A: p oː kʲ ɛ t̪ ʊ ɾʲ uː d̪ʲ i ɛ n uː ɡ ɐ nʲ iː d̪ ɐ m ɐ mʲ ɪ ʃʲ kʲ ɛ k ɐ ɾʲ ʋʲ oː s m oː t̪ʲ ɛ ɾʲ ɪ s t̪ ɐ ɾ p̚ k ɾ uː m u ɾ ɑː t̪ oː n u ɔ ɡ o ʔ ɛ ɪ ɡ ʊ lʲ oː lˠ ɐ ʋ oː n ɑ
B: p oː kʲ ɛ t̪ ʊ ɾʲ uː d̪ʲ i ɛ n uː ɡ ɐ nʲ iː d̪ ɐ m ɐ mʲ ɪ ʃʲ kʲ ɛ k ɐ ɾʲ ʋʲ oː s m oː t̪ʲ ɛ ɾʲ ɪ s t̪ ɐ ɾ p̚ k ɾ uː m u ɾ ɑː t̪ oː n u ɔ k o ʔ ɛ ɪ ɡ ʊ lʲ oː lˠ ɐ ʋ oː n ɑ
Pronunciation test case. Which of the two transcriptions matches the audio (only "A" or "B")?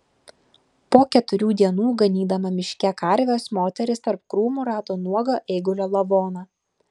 A